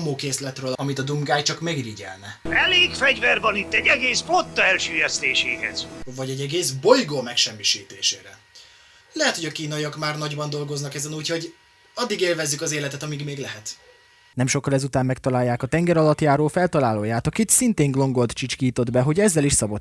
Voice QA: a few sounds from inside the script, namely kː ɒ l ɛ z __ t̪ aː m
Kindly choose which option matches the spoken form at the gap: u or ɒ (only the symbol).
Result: u